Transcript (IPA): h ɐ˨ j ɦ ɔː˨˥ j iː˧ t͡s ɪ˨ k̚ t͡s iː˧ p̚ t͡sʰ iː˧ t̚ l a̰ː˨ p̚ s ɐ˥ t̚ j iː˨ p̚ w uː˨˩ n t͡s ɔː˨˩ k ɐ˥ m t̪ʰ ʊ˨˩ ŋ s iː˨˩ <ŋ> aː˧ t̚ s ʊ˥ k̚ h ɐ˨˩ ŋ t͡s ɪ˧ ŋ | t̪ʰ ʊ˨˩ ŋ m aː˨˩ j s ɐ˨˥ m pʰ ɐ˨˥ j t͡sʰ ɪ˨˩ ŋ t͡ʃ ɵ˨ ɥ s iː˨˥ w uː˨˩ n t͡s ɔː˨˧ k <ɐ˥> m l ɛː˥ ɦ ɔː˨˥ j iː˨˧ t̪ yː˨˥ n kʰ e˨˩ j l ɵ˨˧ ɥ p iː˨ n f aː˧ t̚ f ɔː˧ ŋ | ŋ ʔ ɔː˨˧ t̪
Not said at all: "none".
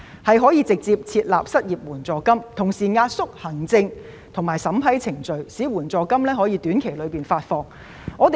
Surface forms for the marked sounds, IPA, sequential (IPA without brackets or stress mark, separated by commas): ŋ, ɐ˥